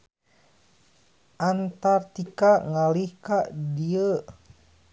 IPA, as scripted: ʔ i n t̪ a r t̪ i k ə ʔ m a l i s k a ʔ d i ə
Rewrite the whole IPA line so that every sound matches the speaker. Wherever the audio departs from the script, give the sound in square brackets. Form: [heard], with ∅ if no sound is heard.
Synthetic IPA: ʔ [a] n t̪ a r t̪ i k [a] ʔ [ŋ] a l i [h] k a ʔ d i ə

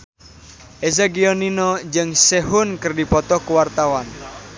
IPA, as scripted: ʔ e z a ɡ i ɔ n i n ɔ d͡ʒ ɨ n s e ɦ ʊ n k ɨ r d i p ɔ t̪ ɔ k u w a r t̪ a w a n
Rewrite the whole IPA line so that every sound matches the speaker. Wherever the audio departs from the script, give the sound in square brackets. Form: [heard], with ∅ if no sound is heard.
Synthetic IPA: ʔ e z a ɡ i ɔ n i n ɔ d͡ʒ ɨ [ŋ] s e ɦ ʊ n k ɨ r d i p ɔ t̪ ɔ k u w a r t̪ a w a n

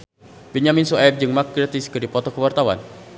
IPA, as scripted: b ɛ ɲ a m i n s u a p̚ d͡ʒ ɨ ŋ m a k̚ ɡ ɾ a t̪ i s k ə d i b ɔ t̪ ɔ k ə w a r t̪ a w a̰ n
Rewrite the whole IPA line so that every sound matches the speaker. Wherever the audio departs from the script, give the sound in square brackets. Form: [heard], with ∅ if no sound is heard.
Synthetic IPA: b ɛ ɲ a m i n s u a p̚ d͡ʒ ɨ ŋ m a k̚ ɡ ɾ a t̪ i s k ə d i [p] ɔ t̪ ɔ k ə w a r t̪ a w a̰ n

